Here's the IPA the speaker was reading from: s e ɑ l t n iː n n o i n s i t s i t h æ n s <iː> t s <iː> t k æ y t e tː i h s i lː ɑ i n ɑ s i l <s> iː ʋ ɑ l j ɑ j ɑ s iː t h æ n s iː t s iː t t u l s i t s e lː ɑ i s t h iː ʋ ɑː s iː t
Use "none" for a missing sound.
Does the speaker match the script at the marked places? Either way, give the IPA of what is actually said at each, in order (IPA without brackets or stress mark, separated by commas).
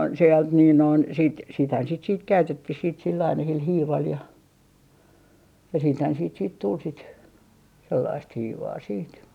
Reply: i, iː, h